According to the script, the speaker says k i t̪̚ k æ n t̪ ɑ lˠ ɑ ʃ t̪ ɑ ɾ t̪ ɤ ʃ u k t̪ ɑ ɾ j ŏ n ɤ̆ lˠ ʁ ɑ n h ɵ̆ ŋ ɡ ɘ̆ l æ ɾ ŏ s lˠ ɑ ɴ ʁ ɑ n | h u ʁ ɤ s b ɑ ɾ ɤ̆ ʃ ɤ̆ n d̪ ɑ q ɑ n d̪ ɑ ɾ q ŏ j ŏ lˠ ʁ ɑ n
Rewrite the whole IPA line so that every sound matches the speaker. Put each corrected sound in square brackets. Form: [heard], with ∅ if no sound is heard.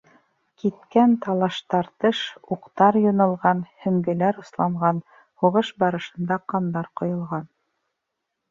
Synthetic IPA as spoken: k i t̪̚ k æ n t̪ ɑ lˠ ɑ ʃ t̪ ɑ ɾ t̪ ɤ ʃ u [q] t̪ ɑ ɾ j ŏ n ɤ̆ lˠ ʁ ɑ n h ɵ̆ ŋ ɡ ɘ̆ l æ ɾ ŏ s lˠ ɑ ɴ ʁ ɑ n | h u ʁ ɤ [ʃ] b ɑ ɾ ɤ̆ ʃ ɤ̆ n d̪ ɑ q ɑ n d̪ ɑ ɾ q ŏ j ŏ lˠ ʁ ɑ n

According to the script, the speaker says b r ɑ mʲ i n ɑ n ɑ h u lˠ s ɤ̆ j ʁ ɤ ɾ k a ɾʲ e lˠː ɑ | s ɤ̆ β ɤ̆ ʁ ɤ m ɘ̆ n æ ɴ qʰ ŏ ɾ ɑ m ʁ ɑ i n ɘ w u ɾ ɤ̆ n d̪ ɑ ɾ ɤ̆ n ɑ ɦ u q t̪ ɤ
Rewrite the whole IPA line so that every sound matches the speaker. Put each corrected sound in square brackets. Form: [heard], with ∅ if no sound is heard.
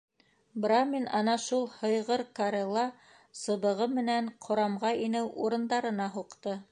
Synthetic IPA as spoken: b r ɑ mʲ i n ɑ n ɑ [ʃ] u lˠ [h] ɤ̆ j ʁ ɤ ɾ k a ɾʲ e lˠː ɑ | s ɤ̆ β ɤ̆ ʁ ɤ m ɘ̆ n æ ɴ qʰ ŏ ɾ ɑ m ʁ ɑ i n ɘ w u ɾ ɤ̆ n d̪ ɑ ɾ ɤ̆ n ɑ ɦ u q t̪ ɤ

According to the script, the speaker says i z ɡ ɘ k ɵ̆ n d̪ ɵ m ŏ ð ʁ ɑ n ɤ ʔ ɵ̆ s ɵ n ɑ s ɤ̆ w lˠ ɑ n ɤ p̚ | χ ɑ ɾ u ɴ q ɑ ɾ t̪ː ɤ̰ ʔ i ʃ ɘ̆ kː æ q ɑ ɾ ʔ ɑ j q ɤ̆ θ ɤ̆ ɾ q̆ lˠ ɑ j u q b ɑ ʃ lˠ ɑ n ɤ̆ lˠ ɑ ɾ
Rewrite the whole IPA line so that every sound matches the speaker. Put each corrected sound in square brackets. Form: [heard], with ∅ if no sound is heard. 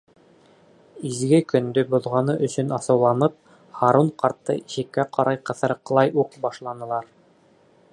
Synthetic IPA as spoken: i z ɡ ɘ k ɵ̆ n d̪ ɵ [b] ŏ ð ʁ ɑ n ɤ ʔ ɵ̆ s ɵ n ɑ s ɤ̆ w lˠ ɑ n ɤ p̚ | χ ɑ ɾ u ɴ q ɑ ɾ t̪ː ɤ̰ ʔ i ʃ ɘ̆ kː æ q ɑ ɾ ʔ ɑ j q ɤ̆ θ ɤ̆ ɾ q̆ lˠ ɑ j u q b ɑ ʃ lˠ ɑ n ɤ̆ lˠ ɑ ɾ

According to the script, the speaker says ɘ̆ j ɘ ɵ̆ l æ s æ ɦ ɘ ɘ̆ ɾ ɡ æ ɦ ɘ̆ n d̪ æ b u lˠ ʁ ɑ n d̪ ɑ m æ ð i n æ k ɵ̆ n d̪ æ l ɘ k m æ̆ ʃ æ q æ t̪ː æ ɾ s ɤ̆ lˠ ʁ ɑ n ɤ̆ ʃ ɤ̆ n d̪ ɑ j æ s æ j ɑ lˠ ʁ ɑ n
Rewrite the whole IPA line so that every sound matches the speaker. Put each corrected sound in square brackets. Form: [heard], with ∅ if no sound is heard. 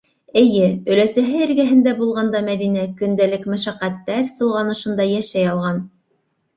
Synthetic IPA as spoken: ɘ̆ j ɘ ɵ̆ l æ s æ ɦ ɘ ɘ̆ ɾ ɡ æ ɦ ɘ̆ n d̪ æ b u lˠ ʁ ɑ n d̪ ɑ m æ ð i n æ k ɵ̆ n d̪ æ l ɘ k m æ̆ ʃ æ q æ t̪ː æ ɾ s ɤ̆ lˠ ʁ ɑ n ɤ̆ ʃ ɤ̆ n d̪ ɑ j æ [ʃ] æ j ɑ lˠ ʁ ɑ n

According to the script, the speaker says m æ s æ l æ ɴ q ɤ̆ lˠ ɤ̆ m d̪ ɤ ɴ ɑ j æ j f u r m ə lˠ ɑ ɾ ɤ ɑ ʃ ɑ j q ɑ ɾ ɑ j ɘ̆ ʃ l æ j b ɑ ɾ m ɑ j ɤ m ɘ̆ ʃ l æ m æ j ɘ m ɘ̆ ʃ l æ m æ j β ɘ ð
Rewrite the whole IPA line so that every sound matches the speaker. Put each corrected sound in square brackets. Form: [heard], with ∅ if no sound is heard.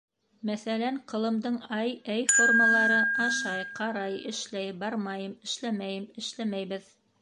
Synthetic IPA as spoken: m æ [θ] æ l æ ɴ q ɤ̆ lˠ ɤ̆ m d̪ ɤ ɴ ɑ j æ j f [o] r m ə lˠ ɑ ɾ ɤ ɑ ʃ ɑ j q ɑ ɾ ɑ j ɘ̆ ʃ l æ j b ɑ ɾ m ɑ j ɤ m ɘ̆ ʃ l æ m æ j ɘ m ɘ̆ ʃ l æ m æ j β ɘ ð

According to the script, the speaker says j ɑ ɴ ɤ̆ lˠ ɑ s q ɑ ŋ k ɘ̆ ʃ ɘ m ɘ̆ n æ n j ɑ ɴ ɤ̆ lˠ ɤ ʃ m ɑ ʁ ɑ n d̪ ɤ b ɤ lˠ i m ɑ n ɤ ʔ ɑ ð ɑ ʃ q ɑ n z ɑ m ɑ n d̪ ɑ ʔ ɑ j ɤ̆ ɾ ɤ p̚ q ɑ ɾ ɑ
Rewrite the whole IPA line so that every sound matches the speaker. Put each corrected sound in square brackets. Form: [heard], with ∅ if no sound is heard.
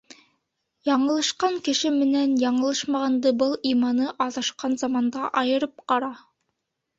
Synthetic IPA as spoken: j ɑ ɴ ɤ̆ lˠ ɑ [ʃ] q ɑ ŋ k ɘ̆ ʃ ɘ m ɘ̆ n æ n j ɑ ɴ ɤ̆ lˠ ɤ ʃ m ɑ ʁ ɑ n d̪ ɤ b ɤ lˠ i m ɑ n ɤ ʔ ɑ ð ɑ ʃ q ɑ n z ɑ m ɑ n d̪ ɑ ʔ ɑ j ɤ̆ ɾ ɤ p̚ q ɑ ɾ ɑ

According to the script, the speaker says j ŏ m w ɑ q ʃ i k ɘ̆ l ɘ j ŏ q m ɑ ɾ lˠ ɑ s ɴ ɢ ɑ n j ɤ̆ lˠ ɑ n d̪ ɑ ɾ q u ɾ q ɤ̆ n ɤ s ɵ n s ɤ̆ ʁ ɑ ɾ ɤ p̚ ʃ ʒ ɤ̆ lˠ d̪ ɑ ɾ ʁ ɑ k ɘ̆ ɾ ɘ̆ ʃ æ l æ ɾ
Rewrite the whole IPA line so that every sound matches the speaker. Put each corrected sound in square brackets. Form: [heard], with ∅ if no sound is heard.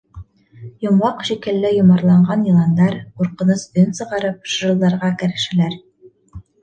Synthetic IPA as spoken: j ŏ m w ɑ q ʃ i k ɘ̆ [lː] ɘ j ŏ [∅] m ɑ ɾ lˠ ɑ [∅] ɴ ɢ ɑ n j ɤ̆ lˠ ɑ n d̪ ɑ ɾ q u ɾ q ɤ̆ n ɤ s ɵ n s ɤ̆ ʁ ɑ ɾ ɤ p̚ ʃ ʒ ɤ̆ lˠ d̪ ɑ ɾ ʁ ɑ k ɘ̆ ɾ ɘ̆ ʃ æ l æ ɾ

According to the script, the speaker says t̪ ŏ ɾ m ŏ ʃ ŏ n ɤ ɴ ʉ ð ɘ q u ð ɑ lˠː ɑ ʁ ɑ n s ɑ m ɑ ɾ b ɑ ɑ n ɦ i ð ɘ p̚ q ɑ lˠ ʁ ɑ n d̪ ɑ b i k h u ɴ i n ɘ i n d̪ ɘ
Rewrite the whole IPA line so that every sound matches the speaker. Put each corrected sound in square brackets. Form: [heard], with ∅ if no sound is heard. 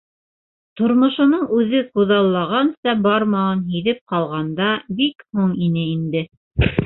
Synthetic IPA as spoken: t̪ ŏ ɾ m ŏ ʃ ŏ n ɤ ɴ ʉ ð ɘ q u ð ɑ lˠː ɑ ʁ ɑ n s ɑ [b] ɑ ɾ [m] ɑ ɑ n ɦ i ð ɘ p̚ q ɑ lˠ ʁ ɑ n d̪ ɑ b i k h u ɴ i n ɘ i n d̪ ɘ

